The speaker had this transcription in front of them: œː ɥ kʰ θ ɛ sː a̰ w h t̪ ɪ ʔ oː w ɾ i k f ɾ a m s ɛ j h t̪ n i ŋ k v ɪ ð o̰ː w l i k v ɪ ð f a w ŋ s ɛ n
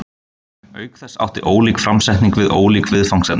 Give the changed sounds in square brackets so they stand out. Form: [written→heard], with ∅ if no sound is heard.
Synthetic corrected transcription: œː ɥ [kʰ→k] θ ɛ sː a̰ w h t̪ ɪ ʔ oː w [ɾ→l] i k f ɾ a m s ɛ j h t̪ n i ŋ k v ɪ ð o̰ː w l i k v ɪ ð f a w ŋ s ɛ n